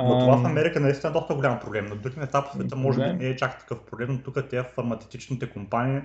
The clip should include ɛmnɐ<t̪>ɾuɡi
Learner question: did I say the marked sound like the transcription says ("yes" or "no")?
no